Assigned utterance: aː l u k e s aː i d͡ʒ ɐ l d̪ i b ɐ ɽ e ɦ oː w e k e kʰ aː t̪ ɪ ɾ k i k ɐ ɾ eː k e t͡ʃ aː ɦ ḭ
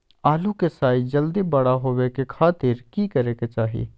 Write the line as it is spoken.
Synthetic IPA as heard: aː l u k e s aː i d͡ʒ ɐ l d̪ i b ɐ ɽ a ɦ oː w e k e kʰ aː t̪ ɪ ɾ k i k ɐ ɾ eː k e t͡ʃ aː ɦ ḭ

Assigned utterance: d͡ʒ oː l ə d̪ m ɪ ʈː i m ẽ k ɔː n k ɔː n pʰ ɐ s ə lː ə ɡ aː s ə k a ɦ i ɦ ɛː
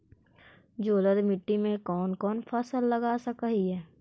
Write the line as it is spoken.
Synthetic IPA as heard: d͡ʒ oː l ə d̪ m ɪ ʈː i m ẽ k ɔː n k ɔː n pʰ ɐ s ə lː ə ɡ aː s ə k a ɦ i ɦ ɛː

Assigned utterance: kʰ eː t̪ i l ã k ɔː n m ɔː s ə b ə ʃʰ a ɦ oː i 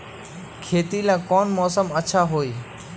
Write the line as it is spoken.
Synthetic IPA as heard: kʰ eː t̪ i l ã k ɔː n m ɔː s ə m ə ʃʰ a ɦ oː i

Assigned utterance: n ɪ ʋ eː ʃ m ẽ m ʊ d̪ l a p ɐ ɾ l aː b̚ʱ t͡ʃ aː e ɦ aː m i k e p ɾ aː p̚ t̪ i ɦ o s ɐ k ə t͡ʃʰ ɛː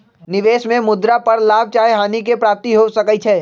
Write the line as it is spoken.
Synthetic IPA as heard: n ɪ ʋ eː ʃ m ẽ m ʊ d̪ ɾ a p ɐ ɾ l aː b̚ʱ t͡ʃ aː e ɦ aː n i k e p ɾ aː p̚ t̪ i ɦ o s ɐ k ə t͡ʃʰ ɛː

